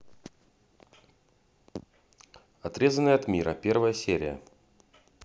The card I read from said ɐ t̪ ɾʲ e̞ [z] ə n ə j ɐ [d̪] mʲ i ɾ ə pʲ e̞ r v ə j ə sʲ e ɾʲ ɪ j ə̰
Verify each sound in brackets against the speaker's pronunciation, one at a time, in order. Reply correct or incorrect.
correct, incorrect

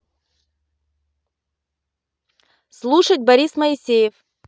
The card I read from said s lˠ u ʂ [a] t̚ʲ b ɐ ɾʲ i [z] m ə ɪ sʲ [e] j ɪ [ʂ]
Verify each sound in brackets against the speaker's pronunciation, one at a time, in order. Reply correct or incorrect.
incorrect, incorrect, correct, incorrect

